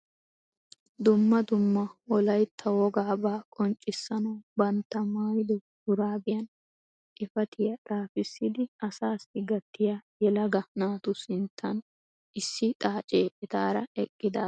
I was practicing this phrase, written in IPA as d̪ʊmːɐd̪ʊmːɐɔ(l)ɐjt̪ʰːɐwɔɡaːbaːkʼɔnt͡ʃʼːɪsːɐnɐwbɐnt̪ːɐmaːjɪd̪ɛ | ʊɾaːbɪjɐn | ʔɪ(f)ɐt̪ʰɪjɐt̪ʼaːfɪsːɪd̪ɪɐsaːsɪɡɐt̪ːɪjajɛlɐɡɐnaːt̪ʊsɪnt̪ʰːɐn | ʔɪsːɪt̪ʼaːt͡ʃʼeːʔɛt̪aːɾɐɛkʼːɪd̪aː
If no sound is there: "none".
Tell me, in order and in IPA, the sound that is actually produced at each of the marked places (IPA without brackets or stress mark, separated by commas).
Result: l, f